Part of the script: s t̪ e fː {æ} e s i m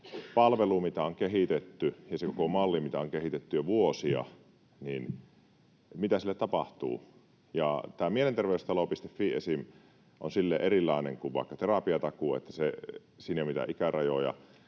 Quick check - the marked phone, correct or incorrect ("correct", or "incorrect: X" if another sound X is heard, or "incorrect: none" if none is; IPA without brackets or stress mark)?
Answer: incorrect: i